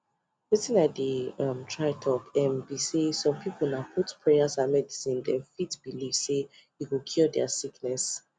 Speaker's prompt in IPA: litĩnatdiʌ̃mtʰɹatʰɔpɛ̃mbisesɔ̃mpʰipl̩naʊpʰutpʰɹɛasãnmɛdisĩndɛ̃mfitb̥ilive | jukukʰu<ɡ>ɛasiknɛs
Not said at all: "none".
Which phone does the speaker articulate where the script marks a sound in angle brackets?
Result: d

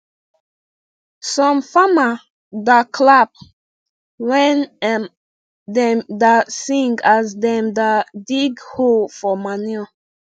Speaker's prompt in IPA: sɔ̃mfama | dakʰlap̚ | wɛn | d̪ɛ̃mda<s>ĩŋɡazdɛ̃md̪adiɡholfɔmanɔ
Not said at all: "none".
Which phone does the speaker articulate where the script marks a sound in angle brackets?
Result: s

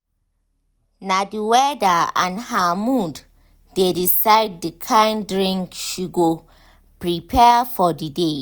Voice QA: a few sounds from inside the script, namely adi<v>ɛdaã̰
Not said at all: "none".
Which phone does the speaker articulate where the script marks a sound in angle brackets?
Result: w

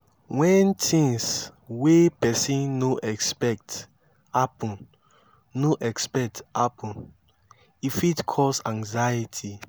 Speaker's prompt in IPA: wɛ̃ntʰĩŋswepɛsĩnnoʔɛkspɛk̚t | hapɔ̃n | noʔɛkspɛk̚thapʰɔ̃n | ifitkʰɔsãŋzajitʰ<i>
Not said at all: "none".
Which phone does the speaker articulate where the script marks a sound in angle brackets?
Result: i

